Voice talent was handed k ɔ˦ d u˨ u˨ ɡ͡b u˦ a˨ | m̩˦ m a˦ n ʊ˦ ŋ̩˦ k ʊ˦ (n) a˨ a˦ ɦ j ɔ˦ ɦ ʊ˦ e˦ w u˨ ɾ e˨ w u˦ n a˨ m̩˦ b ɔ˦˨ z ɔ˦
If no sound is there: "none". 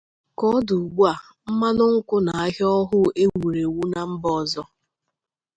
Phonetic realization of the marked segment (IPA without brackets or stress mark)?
n